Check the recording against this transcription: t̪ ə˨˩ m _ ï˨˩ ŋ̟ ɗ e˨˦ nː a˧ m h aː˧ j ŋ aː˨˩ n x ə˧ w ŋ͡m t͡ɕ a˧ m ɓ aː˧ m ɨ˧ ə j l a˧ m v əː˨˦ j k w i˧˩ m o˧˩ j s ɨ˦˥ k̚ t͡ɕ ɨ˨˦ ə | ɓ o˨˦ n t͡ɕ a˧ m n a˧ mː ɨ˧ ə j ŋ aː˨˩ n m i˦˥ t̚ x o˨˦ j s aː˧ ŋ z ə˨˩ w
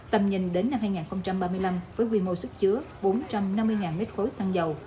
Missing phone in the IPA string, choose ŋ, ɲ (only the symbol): ɲ